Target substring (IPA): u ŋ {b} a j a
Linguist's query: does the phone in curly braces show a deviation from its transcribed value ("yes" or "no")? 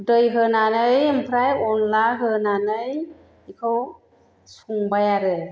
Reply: no